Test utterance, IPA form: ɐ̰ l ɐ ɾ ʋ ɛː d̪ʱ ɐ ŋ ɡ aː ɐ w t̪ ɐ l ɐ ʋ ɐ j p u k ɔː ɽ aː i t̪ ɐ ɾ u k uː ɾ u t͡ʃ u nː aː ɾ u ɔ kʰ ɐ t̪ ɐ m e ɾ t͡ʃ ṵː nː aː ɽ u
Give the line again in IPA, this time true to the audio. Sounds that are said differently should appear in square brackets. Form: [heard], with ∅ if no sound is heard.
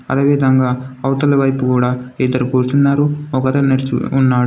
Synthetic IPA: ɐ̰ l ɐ [∅] ʋ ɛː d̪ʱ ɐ ŋ ɡ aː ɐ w t̪ ɐ l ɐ ʋ ɐ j p u k [uː] ɽ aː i [d̪] ɐ ɾ u k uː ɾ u t͡ʃ u nː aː ɾ u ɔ [k] ɐ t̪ ɐ [n] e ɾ t͡ʃ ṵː nː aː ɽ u